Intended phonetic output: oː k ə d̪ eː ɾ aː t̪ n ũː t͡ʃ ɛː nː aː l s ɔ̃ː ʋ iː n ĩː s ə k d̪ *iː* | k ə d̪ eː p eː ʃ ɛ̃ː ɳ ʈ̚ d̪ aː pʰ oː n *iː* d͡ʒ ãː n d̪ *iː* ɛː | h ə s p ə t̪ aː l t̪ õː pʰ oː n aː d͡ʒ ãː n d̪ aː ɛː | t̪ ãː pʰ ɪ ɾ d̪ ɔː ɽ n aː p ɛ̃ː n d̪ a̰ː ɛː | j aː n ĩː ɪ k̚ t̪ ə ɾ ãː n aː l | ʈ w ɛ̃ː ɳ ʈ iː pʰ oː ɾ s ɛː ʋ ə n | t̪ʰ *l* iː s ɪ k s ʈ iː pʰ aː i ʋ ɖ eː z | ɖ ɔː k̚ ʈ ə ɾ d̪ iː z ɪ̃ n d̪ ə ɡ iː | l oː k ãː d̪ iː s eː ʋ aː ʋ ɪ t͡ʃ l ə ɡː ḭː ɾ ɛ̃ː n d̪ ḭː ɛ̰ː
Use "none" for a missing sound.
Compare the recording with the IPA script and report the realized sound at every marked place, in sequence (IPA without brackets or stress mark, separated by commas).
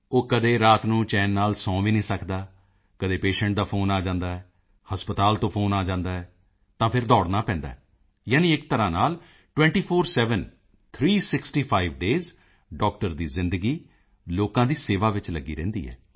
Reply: aː, aː, aː, ɾ